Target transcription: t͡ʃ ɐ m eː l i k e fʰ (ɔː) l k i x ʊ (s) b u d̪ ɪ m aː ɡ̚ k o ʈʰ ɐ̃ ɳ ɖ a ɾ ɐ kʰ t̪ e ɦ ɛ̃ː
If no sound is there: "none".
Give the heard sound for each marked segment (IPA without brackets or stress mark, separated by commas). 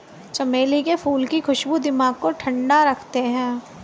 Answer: uː, ʃ